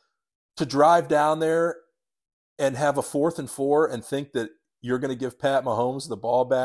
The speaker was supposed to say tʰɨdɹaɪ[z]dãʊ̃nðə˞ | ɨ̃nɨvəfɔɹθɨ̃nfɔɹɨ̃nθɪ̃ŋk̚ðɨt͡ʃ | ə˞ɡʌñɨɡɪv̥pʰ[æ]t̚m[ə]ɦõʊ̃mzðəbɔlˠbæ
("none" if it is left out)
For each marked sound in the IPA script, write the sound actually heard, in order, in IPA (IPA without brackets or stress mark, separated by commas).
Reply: v, æ, ə